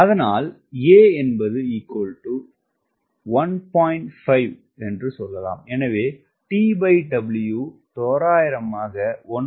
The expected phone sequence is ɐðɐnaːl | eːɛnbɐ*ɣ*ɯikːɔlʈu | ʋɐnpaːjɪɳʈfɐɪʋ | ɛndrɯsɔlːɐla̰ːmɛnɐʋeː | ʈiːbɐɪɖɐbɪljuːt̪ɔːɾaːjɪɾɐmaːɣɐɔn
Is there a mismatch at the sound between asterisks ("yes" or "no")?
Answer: yes